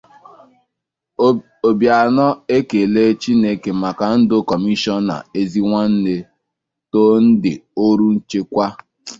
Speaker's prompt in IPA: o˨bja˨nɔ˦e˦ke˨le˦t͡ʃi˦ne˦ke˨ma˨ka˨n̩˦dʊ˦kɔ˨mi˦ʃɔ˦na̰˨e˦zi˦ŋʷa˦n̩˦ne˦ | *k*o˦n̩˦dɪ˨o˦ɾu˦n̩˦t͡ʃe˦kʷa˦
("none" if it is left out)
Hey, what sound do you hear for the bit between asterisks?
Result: t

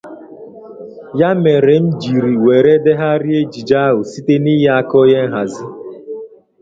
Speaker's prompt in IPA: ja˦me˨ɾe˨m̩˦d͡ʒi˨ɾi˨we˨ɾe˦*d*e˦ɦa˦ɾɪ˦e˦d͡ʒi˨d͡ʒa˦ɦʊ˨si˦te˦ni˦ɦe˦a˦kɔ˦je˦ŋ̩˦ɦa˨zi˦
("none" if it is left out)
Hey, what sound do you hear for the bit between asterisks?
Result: d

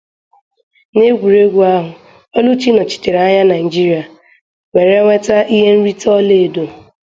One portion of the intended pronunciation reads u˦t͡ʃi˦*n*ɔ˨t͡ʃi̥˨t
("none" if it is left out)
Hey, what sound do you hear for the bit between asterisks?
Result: n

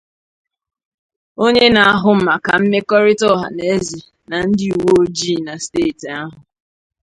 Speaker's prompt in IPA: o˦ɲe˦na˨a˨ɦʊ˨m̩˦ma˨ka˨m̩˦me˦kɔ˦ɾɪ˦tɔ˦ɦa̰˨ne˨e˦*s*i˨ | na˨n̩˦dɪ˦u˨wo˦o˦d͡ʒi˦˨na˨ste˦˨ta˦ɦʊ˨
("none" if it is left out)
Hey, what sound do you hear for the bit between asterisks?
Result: z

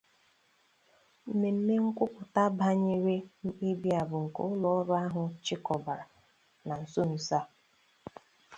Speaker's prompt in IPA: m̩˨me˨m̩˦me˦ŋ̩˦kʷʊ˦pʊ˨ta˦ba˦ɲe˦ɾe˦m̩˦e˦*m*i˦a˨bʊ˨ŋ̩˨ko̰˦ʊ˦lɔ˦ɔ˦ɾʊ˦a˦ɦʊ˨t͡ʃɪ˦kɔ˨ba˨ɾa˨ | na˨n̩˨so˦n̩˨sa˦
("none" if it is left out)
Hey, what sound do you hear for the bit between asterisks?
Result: b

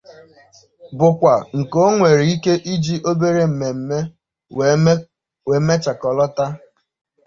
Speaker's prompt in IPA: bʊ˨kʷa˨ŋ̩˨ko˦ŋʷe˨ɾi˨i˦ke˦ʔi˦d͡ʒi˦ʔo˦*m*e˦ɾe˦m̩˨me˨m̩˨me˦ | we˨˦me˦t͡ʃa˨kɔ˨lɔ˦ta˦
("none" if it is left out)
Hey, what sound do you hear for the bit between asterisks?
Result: b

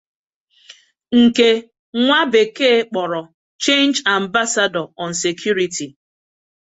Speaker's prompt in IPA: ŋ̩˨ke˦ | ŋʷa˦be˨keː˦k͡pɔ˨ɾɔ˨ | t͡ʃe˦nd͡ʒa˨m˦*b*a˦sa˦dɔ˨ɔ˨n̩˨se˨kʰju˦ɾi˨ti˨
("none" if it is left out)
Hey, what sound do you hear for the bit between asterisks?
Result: b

